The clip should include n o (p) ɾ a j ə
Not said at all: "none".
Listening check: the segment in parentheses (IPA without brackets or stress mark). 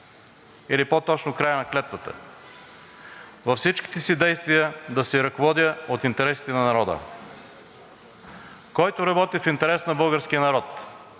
k